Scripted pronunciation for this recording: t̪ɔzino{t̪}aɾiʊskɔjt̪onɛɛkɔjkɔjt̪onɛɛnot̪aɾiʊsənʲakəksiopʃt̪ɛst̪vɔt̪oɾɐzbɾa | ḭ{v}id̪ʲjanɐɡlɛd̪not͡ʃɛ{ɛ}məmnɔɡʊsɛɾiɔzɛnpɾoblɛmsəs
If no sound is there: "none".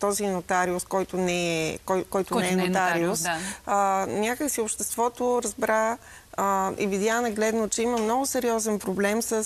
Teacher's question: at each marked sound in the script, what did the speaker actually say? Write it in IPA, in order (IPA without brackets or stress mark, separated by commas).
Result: t̪, v, i